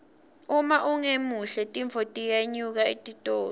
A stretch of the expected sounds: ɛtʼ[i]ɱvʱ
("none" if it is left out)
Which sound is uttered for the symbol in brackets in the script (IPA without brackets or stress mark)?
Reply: i